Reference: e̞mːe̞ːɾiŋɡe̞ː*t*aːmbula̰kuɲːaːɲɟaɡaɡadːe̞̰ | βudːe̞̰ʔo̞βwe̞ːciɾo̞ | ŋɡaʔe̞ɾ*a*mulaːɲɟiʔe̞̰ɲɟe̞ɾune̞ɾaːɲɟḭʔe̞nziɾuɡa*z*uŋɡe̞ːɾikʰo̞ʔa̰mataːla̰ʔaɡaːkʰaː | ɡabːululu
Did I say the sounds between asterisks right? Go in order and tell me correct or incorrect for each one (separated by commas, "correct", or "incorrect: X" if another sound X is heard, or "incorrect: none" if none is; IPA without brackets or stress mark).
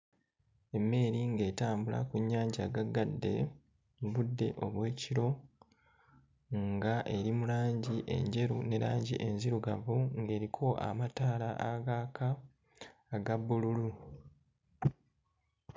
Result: correct, incorrect: i, incorrect: v